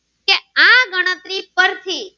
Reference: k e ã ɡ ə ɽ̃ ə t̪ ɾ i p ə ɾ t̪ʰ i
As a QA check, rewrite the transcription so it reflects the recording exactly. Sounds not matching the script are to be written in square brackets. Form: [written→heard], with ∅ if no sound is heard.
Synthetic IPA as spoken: k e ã ɡ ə ɽ̃ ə t̪ ɾ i p ə ɾ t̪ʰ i

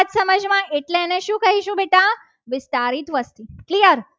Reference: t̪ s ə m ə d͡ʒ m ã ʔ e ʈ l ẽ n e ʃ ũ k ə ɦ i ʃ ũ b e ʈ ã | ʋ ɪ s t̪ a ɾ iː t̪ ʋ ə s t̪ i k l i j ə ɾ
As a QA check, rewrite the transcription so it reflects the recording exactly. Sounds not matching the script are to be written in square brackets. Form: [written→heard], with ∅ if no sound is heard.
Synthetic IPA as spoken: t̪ s ə m ə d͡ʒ m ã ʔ e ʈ l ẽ n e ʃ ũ k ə ɦ i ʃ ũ b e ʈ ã | ʋ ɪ s t̪ a ɾ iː t̪ ʋ ə s t̪ i k l i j ə ɾ

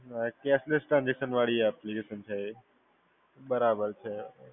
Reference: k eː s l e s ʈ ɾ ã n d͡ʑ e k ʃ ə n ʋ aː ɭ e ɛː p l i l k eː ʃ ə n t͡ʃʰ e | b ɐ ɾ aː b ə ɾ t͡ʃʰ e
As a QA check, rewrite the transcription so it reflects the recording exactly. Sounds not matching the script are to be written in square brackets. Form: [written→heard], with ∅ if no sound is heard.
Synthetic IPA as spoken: k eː s l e s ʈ ɾ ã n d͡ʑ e k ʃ ə n ʋ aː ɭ [e→i] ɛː p l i [l→∅] k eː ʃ ə n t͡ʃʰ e | b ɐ ɾ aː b ə ɾ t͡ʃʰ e

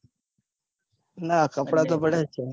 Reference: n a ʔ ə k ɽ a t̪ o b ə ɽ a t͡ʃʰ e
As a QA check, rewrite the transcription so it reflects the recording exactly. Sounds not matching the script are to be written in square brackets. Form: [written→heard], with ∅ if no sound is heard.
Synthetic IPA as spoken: n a [ʔ→k] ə [k→p] ɽ a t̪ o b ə ɽ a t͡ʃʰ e

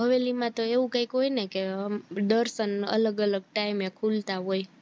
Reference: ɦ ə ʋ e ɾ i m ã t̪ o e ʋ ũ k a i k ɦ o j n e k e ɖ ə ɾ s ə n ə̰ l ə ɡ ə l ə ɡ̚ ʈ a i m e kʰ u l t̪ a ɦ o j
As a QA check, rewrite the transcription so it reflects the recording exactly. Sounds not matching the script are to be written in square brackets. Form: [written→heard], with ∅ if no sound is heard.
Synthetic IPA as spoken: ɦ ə ʋ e [ɾ→l] i m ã t̪ o e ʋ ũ k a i k ɦ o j n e k e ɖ ə ɾ s ə n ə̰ l ə ɡ ə l ə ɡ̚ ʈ a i m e kʰ u l t̪ a ɦ o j

